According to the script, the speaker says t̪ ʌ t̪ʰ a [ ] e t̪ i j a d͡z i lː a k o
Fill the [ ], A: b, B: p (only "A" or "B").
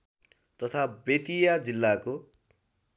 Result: A